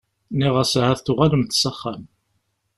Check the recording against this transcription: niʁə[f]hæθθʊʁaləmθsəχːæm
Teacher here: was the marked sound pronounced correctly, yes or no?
no